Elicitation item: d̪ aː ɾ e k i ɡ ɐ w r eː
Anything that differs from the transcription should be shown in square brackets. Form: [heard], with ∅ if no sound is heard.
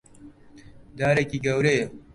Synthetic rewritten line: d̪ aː ɾ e k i ɡ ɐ w [ɾ] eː